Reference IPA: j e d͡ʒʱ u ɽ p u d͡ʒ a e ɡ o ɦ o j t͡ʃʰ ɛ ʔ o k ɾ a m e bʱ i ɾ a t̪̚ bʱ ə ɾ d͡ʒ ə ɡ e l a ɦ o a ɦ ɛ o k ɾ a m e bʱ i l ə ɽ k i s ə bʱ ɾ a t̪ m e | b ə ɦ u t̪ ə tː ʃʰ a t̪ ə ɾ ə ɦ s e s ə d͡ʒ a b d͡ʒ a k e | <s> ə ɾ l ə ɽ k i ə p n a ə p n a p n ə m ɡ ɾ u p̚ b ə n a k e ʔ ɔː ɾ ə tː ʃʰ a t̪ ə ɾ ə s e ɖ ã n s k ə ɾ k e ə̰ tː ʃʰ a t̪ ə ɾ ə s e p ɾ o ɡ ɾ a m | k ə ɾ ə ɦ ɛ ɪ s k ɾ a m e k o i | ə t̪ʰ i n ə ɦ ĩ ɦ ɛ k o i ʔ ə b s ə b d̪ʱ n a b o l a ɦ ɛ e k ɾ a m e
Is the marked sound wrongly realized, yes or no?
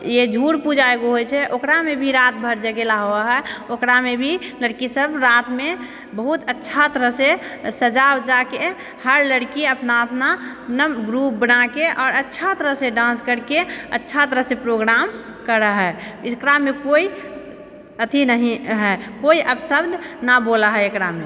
yes